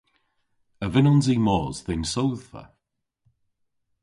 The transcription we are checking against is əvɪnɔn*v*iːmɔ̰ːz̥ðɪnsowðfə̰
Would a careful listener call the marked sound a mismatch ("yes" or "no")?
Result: yes